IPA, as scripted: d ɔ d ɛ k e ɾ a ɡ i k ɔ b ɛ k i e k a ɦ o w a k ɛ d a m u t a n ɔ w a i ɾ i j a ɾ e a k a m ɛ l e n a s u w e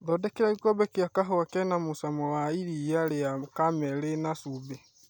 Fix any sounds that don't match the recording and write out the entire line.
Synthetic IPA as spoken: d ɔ d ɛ k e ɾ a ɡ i k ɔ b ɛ k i a k a ɦ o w a k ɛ n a m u s a m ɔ w a i ɾ i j a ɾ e a k a m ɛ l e n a s u b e